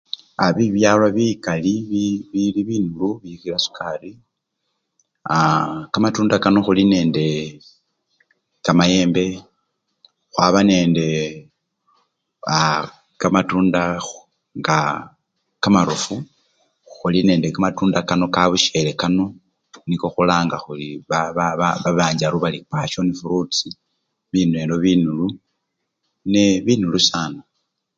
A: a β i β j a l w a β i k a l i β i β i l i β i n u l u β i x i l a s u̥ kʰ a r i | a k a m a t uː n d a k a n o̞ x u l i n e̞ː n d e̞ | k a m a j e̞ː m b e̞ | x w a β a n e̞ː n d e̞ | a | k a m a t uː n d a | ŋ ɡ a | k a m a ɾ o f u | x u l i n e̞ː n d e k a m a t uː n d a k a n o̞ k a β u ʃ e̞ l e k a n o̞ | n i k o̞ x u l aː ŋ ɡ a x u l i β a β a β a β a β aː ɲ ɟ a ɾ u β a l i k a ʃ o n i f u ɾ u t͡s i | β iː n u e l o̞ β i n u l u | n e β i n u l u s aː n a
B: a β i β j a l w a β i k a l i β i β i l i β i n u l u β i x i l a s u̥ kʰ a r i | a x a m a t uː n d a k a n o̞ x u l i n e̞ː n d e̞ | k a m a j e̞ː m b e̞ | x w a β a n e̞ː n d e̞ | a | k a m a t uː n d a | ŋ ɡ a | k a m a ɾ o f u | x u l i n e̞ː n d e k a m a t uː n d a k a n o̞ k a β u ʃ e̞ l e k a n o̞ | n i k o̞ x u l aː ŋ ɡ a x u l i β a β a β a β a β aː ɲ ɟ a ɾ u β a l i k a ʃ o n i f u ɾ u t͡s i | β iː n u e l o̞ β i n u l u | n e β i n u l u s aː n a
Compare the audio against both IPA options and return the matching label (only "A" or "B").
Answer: A